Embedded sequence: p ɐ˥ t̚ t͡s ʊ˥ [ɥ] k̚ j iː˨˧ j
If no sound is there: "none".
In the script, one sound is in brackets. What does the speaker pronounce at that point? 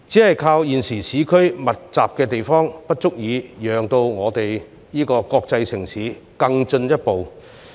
none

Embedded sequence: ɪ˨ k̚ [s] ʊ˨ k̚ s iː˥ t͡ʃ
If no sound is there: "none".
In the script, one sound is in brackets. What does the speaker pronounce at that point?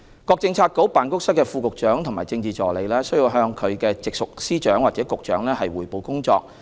s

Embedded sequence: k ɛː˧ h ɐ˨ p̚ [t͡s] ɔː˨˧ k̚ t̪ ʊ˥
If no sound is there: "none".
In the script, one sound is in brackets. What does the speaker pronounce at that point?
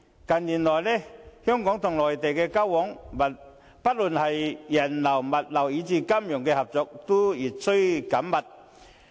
t͡s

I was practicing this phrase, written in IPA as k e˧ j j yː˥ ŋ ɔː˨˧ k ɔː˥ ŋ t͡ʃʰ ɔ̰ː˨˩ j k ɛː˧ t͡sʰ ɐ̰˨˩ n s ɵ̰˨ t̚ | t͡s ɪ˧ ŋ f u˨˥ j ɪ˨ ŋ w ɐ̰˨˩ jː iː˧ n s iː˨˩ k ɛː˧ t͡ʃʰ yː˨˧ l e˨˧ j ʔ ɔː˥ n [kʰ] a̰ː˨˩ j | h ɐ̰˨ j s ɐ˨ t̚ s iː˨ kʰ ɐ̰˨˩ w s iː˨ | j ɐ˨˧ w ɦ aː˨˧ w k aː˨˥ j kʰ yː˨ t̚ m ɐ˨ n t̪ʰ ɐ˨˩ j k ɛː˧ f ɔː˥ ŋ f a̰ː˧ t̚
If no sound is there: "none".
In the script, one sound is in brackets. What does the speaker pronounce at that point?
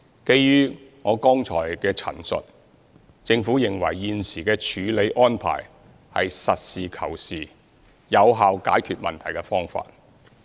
pʰ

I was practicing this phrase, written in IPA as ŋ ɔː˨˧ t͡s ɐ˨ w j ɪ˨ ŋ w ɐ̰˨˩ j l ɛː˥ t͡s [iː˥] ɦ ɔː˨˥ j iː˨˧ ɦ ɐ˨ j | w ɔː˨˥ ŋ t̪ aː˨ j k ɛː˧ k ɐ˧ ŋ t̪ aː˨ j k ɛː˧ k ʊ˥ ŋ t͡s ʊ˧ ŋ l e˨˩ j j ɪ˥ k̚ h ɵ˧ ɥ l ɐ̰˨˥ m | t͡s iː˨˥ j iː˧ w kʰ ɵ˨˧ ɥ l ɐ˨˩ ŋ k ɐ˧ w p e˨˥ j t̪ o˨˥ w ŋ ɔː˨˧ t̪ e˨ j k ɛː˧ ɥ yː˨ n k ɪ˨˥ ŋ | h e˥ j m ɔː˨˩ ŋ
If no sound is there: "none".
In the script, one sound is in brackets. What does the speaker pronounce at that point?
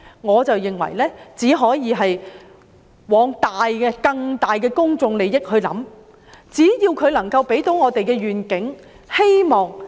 iː˨˥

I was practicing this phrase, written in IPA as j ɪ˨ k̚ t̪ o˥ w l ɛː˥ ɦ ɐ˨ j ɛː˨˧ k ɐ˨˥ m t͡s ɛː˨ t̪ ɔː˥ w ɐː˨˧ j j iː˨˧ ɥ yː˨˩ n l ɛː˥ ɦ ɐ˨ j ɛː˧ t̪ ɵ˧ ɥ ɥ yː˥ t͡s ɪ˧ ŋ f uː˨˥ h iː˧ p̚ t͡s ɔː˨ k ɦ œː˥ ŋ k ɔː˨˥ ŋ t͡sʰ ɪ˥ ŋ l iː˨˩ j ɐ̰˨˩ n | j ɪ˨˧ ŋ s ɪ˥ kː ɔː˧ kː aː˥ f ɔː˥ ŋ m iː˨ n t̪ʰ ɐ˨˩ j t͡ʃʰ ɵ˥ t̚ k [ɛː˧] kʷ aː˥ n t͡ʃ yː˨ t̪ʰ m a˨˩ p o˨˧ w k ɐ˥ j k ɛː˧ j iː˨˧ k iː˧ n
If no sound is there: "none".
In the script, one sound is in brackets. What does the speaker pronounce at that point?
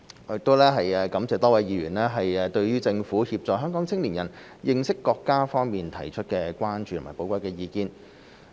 ɛː˧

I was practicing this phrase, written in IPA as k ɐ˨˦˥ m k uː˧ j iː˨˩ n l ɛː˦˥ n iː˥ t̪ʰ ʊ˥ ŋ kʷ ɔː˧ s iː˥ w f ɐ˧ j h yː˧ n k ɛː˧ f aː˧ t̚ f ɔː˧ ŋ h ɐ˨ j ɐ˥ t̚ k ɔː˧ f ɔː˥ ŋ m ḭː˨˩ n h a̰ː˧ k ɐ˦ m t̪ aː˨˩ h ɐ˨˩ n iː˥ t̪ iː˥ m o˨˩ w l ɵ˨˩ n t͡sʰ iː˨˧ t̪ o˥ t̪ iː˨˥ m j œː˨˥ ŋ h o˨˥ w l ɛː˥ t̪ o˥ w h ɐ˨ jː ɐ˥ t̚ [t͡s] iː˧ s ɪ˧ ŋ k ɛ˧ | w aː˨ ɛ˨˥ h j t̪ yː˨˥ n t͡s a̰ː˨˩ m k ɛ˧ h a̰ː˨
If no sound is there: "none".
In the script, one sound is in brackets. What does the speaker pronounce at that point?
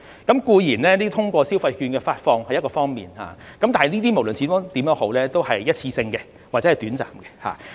t͡sʰ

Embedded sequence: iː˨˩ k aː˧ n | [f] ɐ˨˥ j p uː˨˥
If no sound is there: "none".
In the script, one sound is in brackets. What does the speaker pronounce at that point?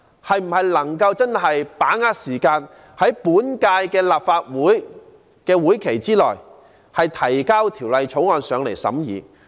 h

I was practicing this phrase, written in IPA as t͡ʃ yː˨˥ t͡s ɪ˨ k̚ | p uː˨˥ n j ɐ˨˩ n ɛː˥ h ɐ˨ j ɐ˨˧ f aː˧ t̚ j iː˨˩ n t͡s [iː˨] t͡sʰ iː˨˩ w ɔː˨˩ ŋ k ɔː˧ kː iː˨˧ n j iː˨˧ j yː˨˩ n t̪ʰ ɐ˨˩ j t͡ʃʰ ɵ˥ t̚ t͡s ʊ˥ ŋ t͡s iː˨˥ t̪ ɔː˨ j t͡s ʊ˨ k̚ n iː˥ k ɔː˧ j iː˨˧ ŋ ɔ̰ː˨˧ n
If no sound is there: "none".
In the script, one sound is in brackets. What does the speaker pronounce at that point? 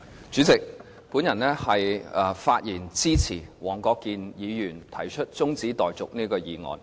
iː˥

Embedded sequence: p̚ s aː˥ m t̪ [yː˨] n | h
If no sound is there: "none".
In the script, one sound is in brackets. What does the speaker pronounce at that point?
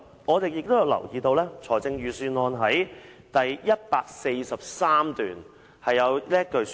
yː˨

